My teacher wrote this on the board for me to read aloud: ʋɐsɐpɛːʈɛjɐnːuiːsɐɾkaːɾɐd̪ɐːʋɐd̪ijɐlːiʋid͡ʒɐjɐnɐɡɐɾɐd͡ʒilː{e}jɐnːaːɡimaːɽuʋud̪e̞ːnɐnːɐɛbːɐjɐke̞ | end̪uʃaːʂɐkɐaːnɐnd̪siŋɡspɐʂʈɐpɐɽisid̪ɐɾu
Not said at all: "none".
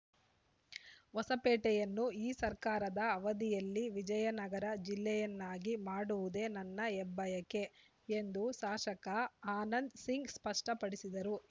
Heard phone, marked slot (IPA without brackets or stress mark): ɛ